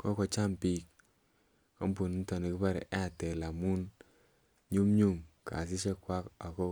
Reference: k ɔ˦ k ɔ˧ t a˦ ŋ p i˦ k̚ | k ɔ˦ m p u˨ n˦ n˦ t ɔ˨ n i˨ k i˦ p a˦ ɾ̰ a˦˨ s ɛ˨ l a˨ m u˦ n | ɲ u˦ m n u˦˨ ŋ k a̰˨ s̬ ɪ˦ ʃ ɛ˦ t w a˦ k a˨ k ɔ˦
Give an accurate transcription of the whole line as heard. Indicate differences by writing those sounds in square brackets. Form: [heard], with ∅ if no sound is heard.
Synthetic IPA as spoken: k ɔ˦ k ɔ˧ [t͡ʃ] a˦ [m] p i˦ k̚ | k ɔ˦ m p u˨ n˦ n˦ t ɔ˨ n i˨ k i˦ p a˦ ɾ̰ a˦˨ [t] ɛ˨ l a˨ m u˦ n | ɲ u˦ m [ɲ] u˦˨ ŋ k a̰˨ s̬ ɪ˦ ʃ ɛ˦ [k] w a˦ k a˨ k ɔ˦